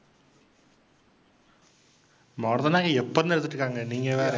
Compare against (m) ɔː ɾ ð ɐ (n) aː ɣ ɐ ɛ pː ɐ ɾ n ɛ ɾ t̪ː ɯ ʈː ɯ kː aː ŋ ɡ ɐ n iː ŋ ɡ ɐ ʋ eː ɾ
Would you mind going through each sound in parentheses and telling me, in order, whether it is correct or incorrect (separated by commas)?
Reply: correct, correct